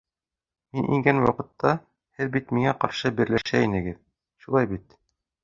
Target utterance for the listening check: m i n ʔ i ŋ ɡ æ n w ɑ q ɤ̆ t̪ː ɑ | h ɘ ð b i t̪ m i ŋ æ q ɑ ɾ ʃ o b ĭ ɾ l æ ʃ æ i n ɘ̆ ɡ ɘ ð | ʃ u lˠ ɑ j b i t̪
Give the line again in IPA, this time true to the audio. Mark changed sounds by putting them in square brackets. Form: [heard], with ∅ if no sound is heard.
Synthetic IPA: m i n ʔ i ŋ ɡ æ n w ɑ q ɤ̆ t̪ː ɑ | h ɘ ð b i t̪ m i ŋ æ q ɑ ɾ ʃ [ɤ] b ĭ ɾ l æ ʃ æ i n ɘ̆ ɡ ɘ ð | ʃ u lˠ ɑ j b i t̪